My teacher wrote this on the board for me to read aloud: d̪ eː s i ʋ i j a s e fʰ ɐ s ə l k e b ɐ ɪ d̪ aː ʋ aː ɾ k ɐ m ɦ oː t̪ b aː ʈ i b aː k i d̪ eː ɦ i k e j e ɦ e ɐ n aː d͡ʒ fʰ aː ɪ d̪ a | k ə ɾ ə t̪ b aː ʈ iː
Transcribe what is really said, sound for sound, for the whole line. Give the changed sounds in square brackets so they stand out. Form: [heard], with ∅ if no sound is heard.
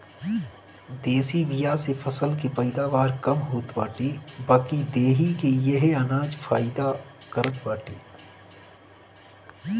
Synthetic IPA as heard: d̪ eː s i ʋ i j a s e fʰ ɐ s ə l k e [p] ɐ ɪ d̪ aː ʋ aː ɾ k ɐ m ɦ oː t̪ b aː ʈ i b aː k i d̪ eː ɦ i k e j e ɦ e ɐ n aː d͡ʒ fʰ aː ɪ d̪ a | k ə ɾ ə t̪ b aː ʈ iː